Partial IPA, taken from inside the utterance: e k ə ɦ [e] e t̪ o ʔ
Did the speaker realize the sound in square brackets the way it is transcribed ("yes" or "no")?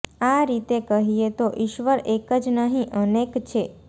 no